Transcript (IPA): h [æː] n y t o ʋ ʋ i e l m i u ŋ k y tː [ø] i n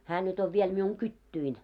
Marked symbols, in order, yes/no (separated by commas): yes, no